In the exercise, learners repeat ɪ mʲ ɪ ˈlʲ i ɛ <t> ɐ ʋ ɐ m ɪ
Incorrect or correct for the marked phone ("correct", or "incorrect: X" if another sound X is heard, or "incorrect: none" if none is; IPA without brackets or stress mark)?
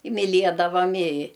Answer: incorrect: d